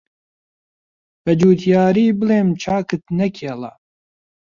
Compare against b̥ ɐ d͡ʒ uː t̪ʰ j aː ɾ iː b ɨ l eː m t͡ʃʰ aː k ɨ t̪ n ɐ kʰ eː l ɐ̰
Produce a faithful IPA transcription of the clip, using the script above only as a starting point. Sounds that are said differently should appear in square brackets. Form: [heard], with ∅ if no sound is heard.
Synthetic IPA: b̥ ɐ d͡ʒ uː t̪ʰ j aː ɾ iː b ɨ l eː m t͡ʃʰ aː k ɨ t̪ n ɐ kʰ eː l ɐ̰